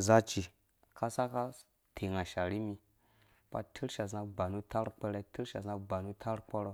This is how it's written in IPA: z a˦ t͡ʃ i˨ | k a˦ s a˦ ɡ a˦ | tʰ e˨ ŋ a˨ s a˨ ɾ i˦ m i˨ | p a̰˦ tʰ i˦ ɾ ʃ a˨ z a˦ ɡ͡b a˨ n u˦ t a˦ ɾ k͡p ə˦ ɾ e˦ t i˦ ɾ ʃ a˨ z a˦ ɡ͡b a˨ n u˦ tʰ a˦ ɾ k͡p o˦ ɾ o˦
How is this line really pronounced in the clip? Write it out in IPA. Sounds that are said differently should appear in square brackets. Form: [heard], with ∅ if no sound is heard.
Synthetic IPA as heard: z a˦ t͡ʃ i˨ | k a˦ s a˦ [k] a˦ | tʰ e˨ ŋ a˨ [ʃ] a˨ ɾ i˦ m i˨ | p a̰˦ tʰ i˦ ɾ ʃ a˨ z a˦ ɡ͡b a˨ n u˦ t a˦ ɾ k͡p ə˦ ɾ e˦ t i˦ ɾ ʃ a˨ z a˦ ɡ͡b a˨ n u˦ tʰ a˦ ɾ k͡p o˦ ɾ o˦